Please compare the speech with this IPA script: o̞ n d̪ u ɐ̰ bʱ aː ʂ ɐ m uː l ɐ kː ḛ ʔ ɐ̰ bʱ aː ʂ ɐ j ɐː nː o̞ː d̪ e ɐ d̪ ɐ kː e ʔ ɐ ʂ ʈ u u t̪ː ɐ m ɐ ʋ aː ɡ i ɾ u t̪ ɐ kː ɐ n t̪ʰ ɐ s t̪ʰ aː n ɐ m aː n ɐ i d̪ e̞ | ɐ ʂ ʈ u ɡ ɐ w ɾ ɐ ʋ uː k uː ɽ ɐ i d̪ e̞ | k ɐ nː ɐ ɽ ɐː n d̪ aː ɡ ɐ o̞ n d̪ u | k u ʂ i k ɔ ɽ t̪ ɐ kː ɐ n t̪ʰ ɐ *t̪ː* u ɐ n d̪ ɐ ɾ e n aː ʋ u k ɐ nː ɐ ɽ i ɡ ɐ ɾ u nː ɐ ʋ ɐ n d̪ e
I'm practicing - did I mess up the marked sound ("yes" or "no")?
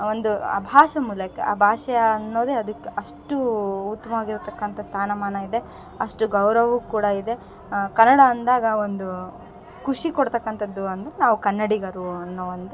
yes